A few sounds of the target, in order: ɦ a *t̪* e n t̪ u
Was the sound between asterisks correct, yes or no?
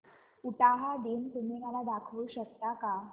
no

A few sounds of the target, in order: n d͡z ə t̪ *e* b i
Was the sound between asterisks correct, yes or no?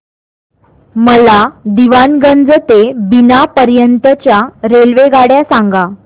yes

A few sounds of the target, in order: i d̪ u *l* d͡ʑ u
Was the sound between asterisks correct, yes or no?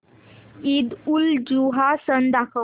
yes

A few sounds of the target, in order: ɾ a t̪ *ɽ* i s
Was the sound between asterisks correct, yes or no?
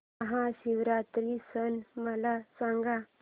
no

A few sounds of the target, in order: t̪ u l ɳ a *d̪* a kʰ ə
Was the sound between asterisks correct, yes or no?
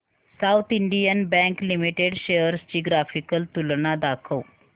yes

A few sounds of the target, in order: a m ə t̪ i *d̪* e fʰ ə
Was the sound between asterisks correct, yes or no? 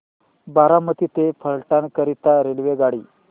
no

